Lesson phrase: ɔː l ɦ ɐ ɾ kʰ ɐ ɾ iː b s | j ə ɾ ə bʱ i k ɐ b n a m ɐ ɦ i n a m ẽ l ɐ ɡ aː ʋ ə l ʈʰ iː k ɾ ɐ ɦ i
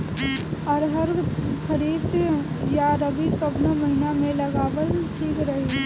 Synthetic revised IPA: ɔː ɾ ɦ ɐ ɾ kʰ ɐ ɾ iː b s | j a ɾ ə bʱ i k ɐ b n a m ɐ ɦ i n a m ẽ l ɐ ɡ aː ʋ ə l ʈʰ iː k ɾ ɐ ɦ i